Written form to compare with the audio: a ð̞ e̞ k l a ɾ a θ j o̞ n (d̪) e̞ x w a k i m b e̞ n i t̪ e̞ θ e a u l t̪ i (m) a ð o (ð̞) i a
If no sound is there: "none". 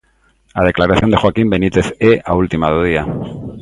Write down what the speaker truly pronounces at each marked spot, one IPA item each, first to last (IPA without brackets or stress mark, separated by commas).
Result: d̪, m, ð̞